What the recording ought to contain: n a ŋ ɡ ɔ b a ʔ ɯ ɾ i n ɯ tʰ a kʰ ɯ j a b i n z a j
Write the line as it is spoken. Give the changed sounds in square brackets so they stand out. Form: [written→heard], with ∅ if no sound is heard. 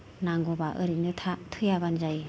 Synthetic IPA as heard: n a ŋ ɡ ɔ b a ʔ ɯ ɾ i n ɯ tʰ a [kʰ→tʰ] ɯ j a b [i→a] n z a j